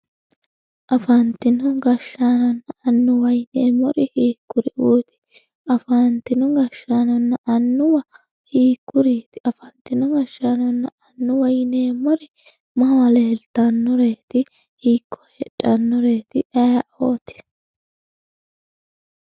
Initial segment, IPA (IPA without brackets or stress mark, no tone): ʔ